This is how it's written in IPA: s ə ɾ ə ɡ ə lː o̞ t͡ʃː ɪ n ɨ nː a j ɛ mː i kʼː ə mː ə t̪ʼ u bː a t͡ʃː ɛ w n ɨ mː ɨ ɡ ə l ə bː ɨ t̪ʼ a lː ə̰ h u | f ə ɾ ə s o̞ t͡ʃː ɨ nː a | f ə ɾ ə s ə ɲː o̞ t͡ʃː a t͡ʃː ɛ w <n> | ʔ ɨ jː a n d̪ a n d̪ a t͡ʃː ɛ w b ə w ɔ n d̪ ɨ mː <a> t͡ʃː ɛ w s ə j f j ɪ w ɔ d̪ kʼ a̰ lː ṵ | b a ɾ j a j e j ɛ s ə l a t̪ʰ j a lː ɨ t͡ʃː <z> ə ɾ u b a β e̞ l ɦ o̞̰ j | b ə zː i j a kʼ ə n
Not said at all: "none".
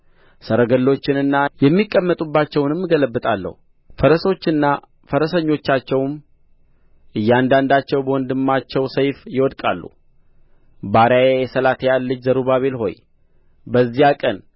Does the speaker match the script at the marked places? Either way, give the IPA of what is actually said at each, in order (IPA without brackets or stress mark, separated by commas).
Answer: m, a, z